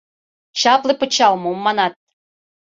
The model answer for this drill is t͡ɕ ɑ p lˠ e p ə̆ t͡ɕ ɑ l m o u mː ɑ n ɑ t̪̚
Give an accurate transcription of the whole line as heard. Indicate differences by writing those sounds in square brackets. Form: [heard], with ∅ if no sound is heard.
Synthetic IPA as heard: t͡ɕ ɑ p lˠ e p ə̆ t͡ɕ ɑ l m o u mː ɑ n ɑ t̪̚